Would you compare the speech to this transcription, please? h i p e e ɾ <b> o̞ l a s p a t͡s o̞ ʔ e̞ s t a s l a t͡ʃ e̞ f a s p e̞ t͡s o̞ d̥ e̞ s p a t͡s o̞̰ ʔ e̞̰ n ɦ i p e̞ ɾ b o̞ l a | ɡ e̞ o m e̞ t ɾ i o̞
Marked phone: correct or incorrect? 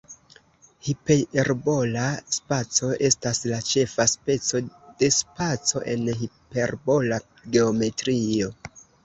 correct